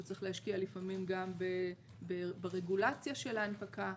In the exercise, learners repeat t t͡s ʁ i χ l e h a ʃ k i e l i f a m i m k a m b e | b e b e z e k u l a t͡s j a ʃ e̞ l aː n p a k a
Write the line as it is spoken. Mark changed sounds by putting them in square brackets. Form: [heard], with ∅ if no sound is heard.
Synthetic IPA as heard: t t͡s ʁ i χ l e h a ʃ k i [a] l i f a m i m [ɡ] a m b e | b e b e [ʁ] e [ɡ] u l a t͡s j a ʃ e̞ l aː n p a k a